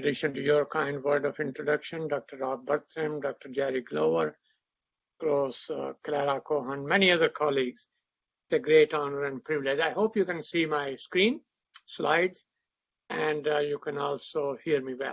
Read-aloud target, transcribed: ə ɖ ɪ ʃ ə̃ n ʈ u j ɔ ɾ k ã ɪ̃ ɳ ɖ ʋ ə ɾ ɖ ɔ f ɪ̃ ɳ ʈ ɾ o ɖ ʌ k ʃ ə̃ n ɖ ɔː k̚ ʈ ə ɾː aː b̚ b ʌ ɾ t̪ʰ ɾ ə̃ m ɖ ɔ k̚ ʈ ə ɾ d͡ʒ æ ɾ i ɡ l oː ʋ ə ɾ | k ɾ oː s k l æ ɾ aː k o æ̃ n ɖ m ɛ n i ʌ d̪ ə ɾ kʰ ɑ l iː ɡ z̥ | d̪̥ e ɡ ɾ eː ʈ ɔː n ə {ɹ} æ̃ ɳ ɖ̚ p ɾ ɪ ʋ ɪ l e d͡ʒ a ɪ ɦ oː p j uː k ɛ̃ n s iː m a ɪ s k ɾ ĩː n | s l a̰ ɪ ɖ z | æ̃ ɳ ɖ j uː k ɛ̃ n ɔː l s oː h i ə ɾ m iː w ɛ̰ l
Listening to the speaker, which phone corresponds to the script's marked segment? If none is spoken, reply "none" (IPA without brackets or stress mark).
ɾ